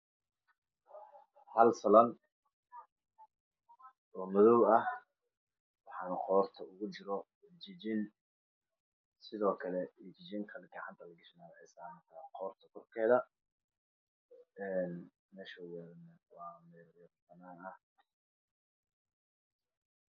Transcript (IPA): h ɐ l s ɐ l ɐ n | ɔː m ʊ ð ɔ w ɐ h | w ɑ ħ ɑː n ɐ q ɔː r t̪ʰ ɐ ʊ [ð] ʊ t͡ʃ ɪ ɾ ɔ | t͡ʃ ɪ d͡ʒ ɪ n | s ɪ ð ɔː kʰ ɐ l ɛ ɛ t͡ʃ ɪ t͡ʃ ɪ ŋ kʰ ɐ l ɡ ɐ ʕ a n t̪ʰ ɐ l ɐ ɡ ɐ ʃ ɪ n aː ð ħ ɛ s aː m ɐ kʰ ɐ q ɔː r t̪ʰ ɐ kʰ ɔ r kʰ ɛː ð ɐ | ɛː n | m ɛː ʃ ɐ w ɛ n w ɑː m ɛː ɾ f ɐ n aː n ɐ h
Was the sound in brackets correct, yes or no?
no